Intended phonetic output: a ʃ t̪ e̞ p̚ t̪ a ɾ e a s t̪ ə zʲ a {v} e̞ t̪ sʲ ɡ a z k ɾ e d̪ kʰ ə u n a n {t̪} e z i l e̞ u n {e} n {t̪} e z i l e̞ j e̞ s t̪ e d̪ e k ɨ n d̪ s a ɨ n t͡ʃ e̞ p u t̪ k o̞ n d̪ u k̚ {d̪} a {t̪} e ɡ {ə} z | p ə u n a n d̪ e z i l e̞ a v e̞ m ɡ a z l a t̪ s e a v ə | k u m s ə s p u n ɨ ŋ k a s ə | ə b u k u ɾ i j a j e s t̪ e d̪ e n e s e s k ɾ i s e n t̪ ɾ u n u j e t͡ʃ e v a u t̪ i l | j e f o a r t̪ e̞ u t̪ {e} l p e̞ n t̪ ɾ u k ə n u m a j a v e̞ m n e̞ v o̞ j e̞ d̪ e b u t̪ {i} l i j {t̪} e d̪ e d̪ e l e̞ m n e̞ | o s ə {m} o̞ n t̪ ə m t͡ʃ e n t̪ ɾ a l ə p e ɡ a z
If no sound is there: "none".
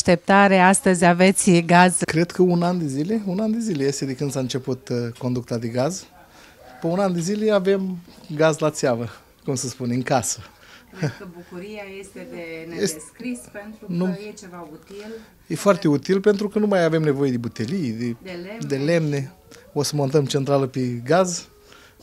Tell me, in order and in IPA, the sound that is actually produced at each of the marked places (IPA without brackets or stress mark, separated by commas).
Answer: v, d̪, a, d̪, t̪, d̪, a, i, e, d̪, m